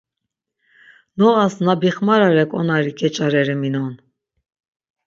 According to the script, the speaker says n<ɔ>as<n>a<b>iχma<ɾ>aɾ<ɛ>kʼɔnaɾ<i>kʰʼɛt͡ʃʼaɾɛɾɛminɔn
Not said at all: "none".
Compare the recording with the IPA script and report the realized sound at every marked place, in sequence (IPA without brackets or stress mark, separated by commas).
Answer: ɔ, n, b, ɾ, ɛ, i